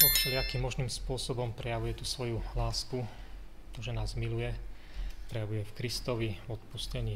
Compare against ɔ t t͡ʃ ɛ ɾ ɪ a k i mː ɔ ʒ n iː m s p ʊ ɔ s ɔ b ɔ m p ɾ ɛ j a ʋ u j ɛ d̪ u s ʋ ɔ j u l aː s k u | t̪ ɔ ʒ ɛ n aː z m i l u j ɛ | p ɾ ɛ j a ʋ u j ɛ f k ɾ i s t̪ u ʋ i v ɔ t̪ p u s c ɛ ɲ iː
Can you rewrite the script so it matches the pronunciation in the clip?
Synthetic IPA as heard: ɔ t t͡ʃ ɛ l ɪ a k i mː ɔ ʒ n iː m s p ʊ ɔ s ɔ b ɔ m p ɾ ɛ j a ʋ u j ɛ t̪ u s ʋ ɔ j u l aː s k u | t̪ ɔ ʒ ɛ n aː z m i l u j ɛ | p ɾ ɛ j a ʋ u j ɛ f k ɾ i s t̪ ɔ ʋ i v ɔ t̪ p u s c ɛ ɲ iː